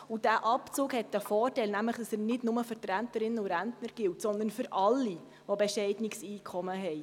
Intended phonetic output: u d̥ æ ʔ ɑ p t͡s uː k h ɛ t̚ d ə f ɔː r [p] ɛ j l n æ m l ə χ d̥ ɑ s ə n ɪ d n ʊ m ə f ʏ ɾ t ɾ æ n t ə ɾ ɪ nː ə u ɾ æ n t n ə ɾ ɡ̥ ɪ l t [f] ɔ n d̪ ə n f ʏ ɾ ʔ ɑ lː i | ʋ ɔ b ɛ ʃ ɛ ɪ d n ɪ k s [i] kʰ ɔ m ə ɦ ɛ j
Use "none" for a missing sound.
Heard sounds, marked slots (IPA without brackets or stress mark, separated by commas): t, s, iː